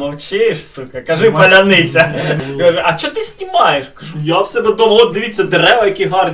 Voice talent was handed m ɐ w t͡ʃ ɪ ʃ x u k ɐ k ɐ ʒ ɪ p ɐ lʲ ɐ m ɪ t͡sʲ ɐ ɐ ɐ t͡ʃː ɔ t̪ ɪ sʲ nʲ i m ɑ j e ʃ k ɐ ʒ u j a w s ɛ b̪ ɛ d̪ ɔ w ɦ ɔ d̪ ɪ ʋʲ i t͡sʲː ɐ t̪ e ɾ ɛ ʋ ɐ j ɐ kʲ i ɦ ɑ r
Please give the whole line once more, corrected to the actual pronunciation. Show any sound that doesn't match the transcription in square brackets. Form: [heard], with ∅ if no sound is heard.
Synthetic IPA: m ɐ w t͡ʃ ɪ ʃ [s] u k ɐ k ɐ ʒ ɪ p ɐ lʲ ɐ [n] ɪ t͡sʲ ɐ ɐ ɐ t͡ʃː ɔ t̪ ɪ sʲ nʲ i m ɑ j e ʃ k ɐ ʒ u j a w s ɛ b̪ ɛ d̪ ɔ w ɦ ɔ d̪ ɪ ʋʲ i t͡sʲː ɐ [d̪] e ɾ ɛ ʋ ɐ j ɐ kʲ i ɦ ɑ r